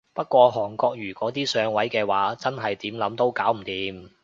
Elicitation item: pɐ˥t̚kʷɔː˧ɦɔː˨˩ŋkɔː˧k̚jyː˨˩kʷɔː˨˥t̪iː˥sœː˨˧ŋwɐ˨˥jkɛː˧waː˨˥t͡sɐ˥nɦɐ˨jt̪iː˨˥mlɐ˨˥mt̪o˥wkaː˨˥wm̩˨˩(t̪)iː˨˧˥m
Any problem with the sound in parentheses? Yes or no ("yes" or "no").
no